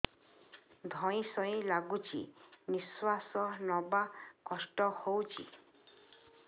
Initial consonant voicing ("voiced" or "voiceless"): voiced